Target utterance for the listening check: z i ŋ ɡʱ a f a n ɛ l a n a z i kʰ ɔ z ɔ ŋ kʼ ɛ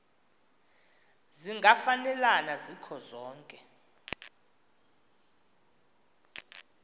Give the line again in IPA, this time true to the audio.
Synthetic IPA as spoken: z i ŋ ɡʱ a f a n ɛ l a n a z i kʰ ɔ z ɔː ŋ kʼ ɛ

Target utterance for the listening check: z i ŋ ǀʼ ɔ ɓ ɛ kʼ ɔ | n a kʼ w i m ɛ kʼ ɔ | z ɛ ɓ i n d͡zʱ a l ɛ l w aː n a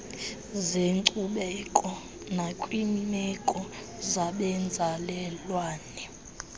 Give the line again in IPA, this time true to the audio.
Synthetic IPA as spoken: z e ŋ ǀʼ u ɓ ɛ kʼ ɔ | n a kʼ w i m ɛ kʼ ɔ | z a ɓ ɛ n d͡zʱ a l ɛ l w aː n ɛ

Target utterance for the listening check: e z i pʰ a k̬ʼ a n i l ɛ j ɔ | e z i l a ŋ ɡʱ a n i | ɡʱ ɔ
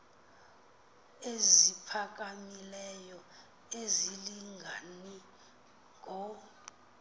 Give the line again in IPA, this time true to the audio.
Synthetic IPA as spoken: e z i pʰ a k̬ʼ a m i l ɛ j ɔ | e z i l i ŋ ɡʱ a n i | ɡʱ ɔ

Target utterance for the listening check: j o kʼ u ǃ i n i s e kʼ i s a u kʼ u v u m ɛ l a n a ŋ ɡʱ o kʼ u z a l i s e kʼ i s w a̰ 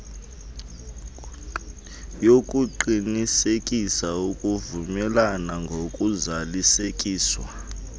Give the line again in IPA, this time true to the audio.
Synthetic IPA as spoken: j o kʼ u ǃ i n i s e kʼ i s a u kʼ u v u m ɛ l a n a ŋ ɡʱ o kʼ u z a l i s e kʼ iː s w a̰

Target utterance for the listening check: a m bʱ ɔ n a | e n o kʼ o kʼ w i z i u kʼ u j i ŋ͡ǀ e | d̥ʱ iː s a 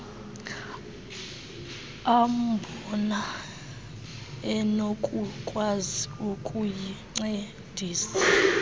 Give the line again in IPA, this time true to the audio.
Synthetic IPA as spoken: a m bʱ ɔ n a | ɛ n o kʼ u kʼ w a z i u kʼ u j i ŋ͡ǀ e | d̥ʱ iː s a

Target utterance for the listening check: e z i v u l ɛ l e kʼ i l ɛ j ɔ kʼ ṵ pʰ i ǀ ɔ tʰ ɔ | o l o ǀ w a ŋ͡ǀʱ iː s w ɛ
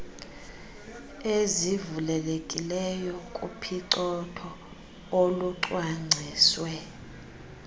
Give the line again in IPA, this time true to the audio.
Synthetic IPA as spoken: e z i v u l ɛ l e kʼ i l ɛ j ɔ kʼ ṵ pʰ i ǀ ɔ tʰ ɔ | o l u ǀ w a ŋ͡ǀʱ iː s w ɛ

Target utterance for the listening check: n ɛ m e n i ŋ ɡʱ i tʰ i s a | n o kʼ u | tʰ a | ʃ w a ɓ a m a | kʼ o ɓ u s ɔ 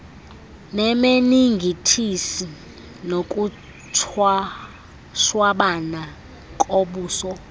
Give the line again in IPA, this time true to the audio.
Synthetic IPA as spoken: n ɛ m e n i ŋ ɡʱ i tʰ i s i | n o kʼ u | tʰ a | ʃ w a ɓ a n a | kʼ o ɓ uː s ɔ

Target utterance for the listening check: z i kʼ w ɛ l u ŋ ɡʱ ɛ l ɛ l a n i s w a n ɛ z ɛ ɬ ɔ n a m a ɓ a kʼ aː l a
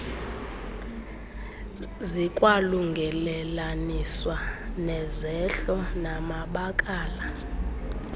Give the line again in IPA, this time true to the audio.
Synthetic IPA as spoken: z i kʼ w a l u ŋ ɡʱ ɛ l ɛ l a n i s w a n ɛ z ɛ ɬ ɔ n a m a ɓ a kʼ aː l a

